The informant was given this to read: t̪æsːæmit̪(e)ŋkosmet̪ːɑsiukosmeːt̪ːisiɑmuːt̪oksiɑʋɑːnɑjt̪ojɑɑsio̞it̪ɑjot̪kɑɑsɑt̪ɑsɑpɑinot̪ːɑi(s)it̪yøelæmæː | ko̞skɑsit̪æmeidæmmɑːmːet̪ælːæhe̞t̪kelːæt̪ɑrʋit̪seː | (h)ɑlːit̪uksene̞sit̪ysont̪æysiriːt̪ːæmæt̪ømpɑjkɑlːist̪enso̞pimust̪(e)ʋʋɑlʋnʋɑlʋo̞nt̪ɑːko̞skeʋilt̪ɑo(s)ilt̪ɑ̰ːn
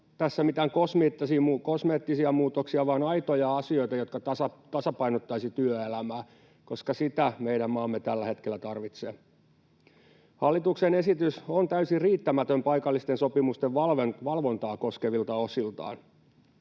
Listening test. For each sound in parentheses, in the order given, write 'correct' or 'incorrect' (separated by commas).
incorrect, correct, correct, correct, correct